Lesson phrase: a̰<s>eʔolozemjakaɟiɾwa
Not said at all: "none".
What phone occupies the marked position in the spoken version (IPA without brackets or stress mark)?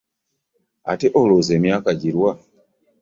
t